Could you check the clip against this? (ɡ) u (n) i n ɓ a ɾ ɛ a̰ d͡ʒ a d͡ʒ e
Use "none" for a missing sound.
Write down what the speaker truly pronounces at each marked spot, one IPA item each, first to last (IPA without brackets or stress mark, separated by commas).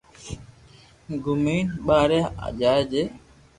ɡ, m